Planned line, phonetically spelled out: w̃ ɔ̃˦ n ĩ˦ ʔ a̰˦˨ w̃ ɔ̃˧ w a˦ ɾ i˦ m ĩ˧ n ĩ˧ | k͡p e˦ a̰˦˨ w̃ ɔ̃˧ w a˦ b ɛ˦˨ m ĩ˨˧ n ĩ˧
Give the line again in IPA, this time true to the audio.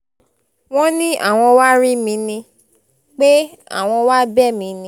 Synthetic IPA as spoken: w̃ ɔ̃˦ n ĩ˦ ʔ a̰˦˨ w̃ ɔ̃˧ w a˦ ɾ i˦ m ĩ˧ n ĩ˧ | k͡p e˦ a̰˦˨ w̃ ɔ̃˧ w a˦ b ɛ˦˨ m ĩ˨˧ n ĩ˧

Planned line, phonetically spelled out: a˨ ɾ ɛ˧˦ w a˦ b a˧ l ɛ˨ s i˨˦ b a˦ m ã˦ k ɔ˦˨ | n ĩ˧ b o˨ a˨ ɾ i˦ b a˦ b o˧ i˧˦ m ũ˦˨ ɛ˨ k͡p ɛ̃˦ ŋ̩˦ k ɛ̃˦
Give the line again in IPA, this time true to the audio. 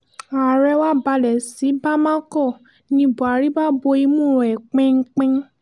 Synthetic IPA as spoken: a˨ ɾ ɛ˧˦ w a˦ b a˧ l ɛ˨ s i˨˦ b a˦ m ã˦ k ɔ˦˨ | n ĩ˧ b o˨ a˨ ɾ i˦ b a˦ b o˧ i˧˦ m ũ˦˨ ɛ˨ k͡p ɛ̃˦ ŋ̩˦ k͡p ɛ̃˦

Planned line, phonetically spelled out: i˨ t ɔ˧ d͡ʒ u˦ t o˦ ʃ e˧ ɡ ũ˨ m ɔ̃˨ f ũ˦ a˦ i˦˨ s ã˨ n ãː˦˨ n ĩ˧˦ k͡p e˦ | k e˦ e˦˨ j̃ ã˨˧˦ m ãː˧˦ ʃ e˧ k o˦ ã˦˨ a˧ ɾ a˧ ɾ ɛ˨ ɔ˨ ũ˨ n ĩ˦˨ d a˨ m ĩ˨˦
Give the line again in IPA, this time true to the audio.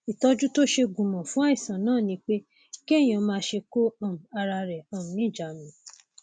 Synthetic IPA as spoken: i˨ t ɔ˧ d͡ʒ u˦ t o˦ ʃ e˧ ɡ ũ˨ m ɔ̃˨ f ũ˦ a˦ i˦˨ s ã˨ n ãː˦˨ n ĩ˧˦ k͡p e˦ | k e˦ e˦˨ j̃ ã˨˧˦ m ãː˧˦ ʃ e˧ k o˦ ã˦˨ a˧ ɾ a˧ ɾ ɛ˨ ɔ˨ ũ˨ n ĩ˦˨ d͡ʒ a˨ m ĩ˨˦

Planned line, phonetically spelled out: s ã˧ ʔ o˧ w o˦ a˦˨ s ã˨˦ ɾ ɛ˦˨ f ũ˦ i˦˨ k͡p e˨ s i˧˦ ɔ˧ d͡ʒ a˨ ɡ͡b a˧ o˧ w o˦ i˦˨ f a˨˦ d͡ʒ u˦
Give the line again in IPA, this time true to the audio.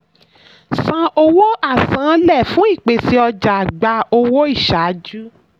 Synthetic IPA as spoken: s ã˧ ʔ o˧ w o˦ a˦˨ s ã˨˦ l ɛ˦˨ f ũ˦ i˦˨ k͡p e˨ s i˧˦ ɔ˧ d͡ʒ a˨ ɡ͡b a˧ o˧ w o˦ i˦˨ ʃ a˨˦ d͡ʒ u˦

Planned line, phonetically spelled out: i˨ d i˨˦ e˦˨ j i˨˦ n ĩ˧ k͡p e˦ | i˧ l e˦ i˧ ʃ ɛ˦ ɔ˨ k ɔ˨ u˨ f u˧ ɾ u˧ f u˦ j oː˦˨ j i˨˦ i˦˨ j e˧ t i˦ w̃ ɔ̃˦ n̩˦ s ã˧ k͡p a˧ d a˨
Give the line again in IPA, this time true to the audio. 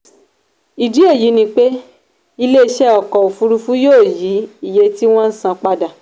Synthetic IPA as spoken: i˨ d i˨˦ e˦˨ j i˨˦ n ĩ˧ k͡p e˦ | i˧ l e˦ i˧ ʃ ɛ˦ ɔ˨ k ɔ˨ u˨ f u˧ ɾ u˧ f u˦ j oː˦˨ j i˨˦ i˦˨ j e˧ t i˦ w̃ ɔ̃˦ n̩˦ s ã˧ k͡p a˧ d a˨

